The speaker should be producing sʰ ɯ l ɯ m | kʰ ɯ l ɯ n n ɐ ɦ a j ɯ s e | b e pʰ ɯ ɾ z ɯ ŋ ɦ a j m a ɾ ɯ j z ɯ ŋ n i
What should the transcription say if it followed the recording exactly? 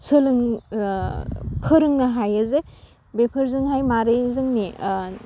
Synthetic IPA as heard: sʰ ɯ l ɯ ŋ | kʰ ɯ ɾ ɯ ŋ n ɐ ɦ a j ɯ z e | b e pʰ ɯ ɾ z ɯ ŋ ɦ a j m a ɾ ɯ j z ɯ ŋ n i